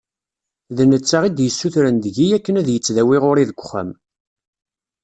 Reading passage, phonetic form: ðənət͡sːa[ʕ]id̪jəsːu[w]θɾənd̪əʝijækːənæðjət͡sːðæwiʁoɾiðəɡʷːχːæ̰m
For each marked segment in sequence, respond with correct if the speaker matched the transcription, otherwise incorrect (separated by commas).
incorrect, incorrect